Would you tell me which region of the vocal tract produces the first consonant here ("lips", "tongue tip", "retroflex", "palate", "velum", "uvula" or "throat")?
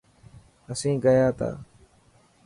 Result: tongue tip